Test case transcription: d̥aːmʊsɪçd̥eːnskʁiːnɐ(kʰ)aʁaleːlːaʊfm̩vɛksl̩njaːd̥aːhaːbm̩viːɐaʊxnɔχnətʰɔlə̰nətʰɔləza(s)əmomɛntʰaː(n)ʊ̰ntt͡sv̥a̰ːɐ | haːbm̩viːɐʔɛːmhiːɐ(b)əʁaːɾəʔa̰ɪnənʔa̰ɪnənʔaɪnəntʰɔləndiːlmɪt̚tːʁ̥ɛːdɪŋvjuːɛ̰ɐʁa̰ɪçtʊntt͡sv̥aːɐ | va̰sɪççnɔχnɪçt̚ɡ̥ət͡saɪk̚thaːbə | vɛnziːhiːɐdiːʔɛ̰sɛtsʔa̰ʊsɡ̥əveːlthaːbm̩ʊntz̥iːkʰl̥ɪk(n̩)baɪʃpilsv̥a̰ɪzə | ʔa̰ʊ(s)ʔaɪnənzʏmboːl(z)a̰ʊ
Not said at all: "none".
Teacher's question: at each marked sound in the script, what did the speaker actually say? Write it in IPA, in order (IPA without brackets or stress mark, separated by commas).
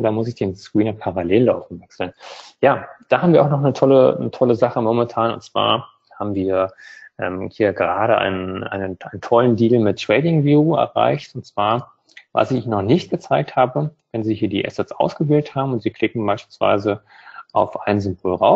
pʰ, χ, n, ɡ, ŋ̩, f, ʁ